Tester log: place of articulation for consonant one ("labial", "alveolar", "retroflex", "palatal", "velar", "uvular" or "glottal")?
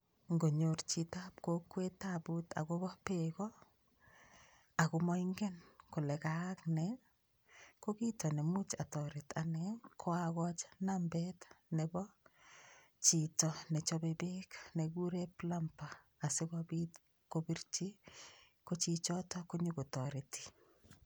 velar